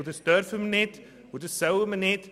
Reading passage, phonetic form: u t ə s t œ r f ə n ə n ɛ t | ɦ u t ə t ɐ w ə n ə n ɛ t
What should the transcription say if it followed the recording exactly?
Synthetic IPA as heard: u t ə s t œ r f ə m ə n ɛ t | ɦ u t ə s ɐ w ə m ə n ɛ t